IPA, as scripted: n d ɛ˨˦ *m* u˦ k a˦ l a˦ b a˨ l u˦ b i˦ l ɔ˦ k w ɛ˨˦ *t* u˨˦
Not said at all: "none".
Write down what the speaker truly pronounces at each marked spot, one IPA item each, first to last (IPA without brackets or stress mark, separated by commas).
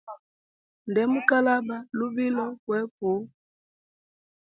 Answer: m, k